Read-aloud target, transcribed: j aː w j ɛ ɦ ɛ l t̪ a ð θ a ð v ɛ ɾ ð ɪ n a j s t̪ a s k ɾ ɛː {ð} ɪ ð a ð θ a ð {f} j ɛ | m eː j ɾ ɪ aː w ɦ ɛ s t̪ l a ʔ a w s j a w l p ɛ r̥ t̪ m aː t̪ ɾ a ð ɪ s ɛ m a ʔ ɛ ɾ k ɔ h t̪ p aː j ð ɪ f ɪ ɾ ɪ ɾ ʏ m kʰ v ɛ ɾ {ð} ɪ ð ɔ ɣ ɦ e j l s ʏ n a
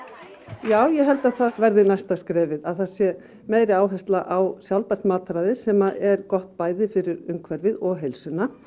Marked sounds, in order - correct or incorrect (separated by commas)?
incorrect, incorrect, incorrect